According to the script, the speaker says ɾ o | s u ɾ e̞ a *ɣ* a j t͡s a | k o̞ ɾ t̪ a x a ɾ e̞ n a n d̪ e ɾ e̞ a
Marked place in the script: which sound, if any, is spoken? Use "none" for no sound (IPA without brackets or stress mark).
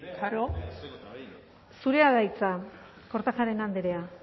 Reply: ð